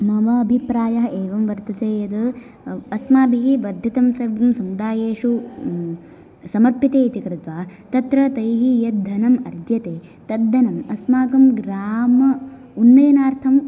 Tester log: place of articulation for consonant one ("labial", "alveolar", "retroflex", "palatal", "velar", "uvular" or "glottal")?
labial